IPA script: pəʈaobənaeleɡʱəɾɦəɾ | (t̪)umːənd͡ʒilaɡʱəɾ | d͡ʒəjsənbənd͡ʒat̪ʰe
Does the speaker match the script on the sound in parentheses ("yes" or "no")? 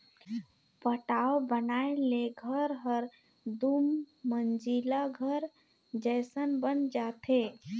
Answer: no